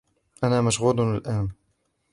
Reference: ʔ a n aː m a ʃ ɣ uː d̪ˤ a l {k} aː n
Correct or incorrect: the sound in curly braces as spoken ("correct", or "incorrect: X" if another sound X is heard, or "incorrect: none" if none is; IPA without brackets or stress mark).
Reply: incorrect: ʔ